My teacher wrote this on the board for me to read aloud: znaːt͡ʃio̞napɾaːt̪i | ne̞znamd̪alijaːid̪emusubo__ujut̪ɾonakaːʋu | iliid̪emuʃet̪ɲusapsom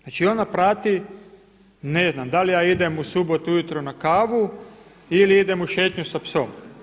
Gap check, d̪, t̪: t̪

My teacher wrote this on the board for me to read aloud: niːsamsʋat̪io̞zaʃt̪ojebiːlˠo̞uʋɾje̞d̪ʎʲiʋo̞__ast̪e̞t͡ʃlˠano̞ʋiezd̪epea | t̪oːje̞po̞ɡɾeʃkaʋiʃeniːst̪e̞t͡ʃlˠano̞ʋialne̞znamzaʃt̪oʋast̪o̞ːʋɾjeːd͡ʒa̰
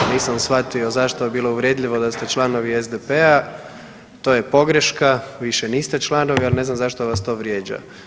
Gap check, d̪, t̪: d̪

